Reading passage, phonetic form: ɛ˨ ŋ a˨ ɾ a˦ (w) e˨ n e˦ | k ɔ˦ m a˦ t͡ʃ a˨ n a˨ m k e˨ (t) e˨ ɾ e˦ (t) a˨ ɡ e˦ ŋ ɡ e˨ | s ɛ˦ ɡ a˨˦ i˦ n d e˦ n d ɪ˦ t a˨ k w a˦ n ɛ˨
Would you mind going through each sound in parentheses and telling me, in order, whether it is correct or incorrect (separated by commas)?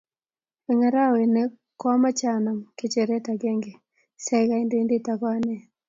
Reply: correct, incorrect, correct